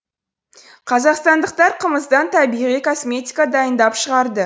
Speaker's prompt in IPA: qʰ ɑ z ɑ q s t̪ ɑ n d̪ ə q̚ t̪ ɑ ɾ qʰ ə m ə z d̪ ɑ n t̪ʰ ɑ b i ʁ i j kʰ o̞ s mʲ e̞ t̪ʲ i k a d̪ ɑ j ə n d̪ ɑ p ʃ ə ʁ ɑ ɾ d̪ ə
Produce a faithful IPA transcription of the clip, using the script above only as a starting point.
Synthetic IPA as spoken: qʰ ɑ z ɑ q s t̪ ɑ n d̪ ə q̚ t̪ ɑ ɾ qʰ ə m ə z d̪ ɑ n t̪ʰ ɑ b i ʁ i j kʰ o̞ s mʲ e̞ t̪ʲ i k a d̪ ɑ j ə n d̪ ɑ p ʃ ə ʁ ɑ ɾ d̪ ə